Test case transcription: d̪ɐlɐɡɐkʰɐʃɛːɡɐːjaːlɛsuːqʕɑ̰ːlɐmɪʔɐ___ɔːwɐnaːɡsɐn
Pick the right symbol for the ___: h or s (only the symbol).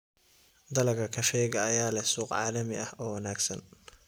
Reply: h